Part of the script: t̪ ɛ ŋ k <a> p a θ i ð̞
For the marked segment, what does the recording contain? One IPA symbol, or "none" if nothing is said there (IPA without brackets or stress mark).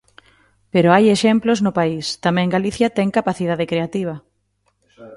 a